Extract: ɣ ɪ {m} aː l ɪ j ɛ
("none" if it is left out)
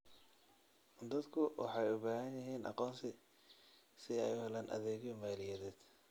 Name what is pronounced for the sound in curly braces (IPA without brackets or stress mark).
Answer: m